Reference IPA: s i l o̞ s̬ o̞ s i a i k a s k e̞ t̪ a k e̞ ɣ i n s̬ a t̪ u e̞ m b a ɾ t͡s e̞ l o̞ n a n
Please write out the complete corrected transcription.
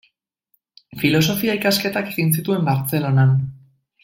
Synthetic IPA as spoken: f i l o̞ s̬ o̞ f i a i k a s k e̞ t̪ a k e̞ ɣ i n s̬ i t̪ u e̞ m b a ɾ t͡s e̞ l o̞ n a n

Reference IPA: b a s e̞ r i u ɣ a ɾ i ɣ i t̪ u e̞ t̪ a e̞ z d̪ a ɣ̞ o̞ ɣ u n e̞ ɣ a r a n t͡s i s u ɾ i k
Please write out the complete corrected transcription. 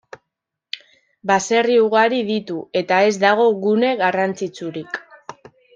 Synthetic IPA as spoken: b a s e̞ r i u ɣ a ɾ i ð i t̪ u e̞ t̪ a e̞ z d̪ a ɣ̞ o̞ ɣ u n e̞ ɣ a r a n t͡s i t͡s u ɾ i k

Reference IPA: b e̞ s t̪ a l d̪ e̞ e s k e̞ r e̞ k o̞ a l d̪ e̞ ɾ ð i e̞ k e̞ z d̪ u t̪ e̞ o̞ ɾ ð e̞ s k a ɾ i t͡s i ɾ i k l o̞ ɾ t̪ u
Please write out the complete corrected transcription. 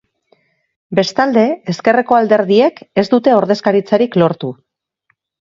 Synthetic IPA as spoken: b e̞ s t̪ a l d̪ e̞ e s k e̞ r e̞ k o̞ a l d̪ e̞ ɾ ð i e̞ k e̞ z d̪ u t̪ e̞ o̞ ɾ ð e̞ s k a ɾ i t͡s a ɾ i k l o̞ ɾ t̪ u

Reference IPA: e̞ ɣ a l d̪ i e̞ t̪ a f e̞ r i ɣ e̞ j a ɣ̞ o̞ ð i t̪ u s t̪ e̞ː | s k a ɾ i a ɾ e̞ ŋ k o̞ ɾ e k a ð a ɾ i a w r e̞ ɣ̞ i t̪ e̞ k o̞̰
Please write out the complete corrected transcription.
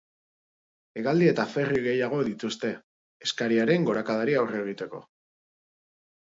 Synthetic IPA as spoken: e̞ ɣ a l d̪ i e̞ t̪ a f e̞ r i ɣ e̞ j a ɣ̞ o̞ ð i t̪ u s t̪ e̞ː | s k a ɾ i a ɾ e̞ ŋ ɡ o̞ ɾ a k a ð a ɾ i a w r e̞ ɣ̞ i t̪ e̞ k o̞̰

